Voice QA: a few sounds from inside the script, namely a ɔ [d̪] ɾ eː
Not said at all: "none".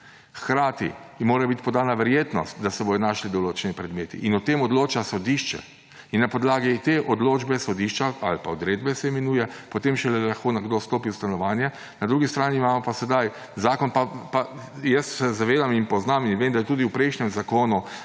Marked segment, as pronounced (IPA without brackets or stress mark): d̪